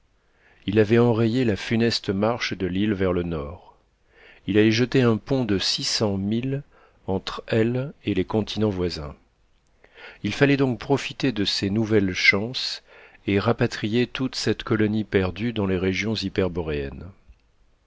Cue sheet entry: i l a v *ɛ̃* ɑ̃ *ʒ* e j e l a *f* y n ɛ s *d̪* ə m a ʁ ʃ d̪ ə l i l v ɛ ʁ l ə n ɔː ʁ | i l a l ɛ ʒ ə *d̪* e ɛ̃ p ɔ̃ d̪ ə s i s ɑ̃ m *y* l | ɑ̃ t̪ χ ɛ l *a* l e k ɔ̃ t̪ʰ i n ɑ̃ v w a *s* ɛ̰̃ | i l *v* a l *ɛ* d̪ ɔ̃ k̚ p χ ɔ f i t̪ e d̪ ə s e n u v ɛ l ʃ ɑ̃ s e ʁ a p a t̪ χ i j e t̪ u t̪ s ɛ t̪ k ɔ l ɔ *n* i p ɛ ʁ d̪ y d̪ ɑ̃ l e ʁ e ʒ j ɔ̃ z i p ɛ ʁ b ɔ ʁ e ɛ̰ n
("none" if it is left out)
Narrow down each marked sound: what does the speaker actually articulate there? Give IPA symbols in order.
ɛ, ʁ, f, t̪, t̪, i, e, z, f, ɛ, n

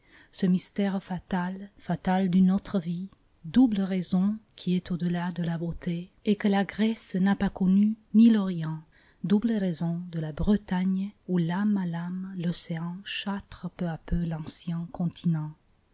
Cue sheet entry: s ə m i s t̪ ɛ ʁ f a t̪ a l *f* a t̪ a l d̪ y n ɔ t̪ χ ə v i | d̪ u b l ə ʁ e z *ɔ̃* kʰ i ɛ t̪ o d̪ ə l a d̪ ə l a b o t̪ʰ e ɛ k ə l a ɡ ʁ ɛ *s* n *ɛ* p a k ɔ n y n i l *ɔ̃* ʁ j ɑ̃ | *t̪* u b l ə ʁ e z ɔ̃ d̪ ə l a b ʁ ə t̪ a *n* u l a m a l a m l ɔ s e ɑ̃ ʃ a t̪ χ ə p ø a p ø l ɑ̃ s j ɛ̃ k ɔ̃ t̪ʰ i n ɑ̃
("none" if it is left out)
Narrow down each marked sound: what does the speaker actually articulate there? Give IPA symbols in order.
f, ɔ̃, s, a, ɔ, d̪, ɲ

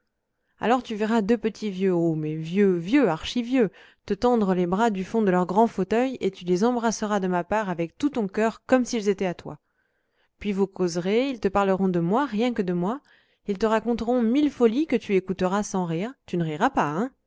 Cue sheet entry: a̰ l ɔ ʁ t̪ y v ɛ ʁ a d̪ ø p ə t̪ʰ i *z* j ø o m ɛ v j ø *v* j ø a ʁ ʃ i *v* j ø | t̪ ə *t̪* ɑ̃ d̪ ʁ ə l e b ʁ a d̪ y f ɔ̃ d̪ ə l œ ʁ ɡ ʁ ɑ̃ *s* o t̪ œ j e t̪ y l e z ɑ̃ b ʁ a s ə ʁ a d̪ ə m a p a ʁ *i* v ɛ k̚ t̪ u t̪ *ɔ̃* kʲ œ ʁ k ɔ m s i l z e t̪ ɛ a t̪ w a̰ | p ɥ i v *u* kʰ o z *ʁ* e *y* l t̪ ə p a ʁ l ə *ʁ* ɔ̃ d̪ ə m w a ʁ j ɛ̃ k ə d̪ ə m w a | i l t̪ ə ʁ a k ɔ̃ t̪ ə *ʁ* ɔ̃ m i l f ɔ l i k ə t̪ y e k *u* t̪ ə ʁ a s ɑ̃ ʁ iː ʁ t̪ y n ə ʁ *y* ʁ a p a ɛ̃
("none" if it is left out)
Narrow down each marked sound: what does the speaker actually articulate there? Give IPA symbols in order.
v, v, v, t̪, f, a, ɔ̃, u, ʁ, i, ʁ, ʁ, u, i

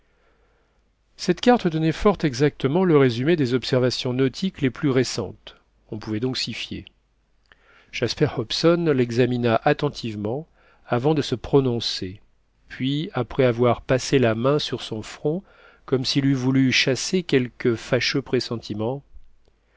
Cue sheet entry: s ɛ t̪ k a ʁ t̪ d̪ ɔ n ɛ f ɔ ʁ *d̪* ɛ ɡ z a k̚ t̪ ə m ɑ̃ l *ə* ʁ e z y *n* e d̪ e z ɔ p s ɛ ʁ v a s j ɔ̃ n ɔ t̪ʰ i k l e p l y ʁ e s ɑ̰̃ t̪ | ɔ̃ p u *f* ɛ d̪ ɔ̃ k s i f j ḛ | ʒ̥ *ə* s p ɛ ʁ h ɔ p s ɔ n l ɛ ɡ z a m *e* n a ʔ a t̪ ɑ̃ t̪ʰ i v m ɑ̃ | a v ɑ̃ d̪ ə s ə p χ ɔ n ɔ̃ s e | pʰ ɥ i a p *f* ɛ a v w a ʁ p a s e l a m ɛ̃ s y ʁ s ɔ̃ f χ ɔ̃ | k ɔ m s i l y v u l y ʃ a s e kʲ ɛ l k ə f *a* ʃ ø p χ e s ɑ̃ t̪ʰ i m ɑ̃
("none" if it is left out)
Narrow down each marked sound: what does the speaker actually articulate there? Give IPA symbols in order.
t̪, ə, m, v, a, i, χ, a

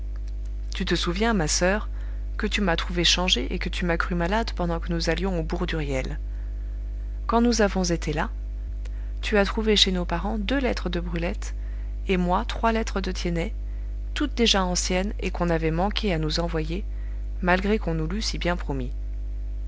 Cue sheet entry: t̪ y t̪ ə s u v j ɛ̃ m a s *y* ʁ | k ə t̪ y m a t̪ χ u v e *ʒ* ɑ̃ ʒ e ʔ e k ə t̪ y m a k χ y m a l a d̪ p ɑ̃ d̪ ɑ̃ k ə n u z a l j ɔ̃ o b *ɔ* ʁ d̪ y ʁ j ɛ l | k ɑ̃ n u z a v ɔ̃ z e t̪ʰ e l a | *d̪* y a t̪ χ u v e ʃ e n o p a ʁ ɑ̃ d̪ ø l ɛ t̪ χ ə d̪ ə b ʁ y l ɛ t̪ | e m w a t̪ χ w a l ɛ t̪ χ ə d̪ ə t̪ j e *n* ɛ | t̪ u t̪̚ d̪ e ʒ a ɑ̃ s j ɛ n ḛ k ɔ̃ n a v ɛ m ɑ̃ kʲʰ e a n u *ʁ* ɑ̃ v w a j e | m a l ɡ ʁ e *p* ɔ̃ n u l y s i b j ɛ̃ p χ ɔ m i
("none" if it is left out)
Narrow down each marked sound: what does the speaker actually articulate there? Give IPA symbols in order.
œ, ʃ, u, t̪, n, z, k

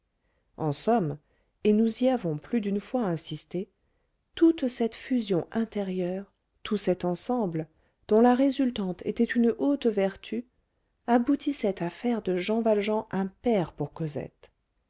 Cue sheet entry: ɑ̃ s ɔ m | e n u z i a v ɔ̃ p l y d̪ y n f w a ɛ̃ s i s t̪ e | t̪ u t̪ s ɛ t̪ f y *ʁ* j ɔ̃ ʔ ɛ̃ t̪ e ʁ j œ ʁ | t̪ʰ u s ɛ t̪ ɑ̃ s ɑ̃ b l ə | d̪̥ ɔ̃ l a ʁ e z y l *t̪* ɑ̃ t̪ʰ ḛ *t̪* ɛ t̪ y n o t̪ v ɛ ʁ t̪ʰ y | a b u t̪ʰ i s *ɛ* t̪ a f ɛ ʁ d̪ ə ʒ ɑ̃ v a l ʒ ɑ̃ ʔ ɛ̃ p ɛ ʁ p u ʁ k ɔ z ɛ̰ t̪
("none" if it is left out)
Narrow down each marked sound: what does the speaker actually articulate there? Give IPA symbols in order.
z, t̪, t̪, ɛ

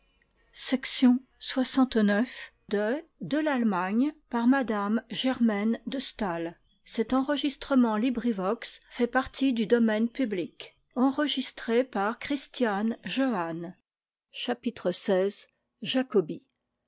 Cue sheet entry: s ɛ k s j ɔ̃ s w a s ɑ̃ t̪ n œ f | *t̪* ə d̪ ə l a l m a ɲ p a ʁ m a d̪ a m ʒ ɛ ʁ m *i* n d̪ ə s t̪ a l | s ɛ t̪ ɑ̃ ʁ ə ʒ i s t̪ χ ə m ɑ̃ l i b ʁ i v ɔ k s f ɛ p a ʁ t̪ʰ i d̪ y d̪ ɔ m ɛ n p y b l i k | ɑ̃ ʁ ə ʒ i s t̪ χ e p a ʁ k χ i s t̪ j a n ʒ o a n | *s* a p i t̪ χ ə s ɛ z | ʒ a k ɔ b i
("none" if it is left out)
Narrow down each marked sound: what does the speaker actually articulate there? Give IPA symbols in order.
d̪, ɛ, ʃ

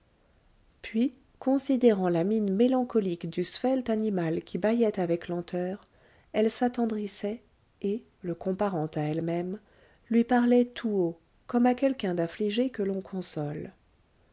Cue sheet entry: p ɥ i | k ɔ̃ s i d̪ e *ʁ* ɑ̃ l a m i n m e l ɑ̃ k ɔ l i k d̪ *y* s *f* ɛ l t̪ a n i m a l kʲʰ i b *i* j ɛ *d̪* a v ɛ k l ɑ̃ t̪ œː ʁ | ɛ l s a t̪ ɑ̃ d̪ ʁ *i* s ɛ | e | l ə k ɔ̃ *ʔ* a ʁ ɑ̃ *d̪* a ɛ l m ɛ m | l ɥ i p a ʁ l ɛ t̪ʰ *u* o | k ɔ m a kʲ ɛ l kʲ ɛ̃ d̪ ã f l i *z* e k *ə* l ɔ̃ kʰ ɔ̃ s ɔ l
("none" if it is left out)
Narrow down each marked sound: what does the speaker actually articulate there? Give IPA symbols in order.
ʁ, y, f, a, t̪, i, p, t̪, u, ʒ, ə

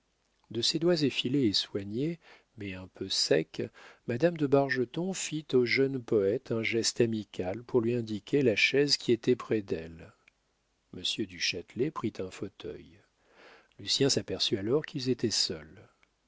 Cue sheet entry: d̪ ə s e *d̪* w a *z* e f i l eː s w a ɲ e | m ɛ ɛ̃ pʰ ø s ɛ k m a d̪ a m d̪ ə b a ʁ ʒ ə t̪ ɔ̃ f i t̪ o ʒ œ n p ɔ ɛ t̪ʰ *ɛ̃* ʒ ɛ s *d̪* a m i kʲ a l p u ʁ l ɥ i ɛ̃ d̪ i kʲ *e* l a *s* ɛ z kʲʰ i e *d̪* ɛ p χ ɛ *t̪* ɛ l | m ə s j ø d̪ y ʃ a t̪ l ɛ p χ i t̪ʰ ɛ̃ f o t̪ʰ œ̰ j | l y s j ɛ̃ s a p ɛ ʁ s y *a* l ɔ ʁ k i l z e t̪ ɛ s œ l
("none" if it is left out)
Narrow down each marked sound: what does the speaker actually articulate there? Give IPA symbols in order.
d̪, z, ɛ̃, t̪, e, ʃ, t̪, d̪, a

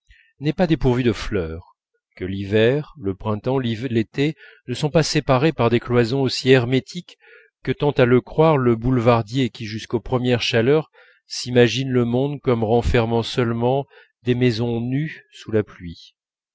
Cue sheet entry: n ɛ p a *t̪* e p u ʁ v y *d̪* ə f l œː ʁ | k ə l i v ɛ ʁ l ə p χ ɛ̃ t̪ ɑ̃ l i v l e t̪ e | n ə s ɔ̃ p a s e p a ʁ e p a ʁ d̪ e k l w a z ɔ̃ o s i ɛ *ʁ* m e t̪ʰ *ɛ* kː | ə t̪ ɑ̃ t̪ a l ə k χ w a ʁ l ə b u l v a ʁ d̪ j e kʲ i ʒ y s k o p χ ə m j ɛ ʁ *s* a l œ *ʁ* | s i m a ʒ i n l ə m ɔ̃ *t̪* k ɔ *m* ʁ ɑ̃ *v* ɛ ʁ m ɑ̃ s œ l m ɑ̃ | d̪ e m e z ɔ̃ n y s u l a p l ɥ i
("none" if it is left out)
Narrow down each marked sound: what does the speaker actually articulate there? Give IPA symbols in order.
d̪, d̪, ʁ, i, ʃ, ʁ, d̪, m, f

